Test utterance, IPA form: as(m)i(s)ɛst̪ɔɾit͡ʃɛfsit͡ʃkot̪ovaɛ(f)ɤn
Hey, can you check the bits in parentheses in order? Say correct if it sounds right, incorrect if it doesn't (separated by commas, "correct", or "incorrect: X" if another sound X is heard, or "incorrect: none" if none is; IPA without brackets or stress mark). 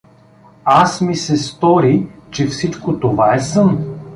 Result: correct, correct, incorrect: s